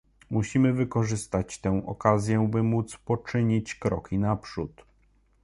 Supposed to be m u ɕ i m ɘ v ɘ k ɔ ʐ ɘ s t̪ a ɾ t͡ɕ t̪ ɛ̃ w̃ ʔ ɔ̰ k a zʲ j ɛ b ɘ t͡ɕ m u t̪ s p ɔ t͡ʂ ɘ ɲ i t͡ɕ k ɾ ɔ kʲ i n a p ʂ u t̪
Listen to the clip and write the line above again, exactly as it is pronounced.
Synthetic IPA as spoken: m u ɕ i m ɘ v ɘ k ɔ ʐ ɘ s t̪ a t͡ɕ t̪ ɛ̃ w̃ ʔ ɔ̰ k a zʲ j ɛ b ɘ m u t̪ s p ɔ t͡ʂ ɘ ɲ i t͡ɕ k ɾ ɔ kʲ i n a p ʂ u t̪